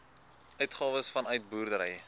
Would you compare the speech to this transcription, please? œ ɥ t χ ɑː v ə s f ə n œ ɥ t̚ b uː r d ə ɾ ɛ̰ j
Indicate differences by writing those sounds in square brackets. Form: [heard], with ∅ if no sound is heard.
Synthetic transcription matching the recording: œ ɥ t χ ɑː v ə s f [ɐ] n œ ɥ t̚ b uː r d ə ɾ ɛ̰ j